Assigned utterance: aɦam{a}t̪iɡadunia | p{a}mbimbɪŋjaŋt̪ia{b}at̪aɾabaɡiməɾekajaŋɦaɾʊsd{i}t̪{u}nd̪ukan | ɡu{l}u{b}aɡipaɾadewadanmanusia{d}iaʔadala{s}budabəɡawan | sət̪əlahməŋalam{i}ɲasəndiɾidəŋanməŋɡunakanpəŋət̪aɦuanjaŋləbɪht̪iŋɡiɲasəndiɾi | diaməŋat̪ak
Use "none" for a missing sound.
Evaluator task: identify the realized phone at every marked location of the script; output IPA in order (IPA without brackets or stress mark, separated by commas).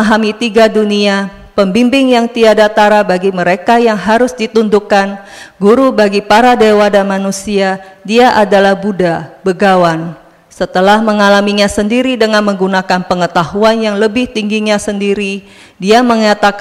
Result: i, ə, d, i, u, ɾ, b, d, h, i